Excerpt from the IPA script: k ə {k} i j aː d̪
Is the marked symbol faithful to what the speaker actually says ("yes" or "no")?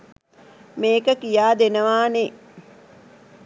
yes